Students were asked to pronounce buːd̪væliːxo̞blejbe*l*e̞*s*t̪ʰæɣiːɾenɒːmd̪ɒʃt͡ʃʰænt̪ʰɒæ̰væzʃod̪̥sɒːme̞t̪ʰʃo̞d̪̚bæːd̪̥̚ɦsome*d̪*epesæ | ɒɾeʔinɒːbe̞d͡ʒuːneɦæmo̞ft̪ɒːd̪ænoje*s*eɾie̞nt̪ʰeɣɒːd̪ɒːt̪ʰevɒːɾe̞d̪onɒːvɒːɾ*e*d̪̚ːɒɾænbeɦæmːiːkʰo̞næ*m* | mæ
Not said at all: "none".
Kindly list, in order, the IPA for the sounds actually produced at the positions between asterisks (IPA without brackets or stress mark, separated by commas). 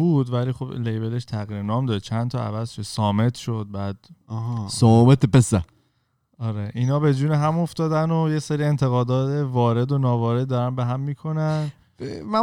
l, ʃ, t̪, s, e, n